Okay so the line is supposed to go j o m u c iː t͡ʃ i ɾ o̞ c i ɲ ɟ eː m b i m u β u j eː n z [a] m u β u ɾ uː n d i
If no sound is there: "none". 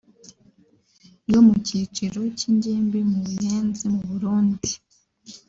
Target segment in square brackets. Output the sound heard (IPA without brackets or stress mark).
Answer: i